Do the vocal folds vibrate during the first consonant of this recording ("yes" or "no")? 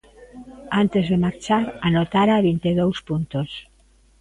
yes